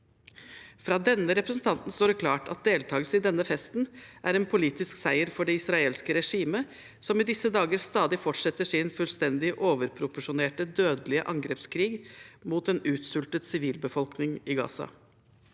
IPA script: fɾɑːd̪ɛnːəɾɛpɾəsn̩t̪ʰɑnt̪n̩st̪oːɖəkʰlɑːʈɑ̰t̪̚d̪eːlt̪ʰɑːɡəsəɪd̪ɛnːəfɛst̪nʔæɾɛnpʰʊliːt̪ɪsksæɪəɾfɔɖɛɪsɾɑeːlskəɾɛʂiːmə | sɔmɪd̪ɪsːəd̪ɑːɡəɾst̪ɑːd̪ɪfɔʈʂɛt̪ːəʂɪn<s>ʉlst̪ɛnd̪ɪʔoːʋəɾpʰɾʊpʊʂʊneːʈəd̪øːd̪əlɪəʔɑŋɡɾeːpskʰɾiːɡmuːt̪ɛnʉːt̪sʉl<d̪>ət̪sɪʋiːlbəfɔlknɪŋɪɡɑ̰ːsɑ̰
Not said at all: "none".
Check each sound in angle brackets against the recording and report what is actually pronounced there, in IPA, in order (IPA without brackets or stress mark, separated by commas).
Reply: f, t̪